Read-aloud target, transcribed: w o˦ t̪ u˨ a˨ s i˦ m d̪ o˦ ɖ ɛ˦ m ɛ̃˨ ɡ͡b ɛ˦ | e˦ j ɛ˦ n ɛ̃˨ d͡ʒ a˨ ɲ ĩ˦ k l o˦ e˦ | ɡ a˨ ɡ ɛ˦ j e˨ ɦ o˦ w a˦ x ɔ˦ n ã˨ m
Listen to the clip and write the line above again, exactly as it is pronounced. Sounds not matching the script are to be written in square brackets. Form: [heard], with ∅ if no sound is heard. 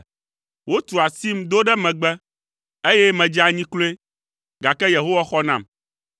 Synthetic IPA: w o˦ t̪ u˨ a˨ s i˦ m d̪ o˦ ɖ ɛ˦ m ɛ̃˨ ɡ͡b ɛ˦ | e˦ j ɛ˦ [m] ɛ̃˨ d͡ʒ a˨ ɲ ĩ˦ k l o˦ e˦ | ɡ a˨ [k] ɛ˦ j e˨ ɦ o˦ w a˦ x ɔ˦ n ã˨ m